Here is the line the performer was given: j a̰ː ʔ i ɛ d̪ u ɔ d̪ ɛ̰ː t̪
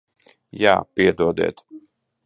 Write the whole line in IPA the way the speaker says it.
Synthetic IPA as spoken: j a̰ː p i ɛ d̪ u ɔ d̪ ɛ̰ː t̪